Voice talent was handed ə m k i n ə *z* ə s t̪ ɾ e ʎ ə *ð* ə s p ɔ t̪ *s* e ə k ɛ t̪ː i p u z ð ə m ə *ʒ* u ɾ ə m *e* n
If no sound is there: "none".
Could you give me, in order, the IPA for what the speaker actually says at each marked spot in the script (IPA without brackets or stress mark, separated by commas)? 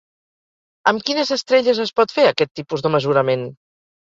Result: z, z, f, z, e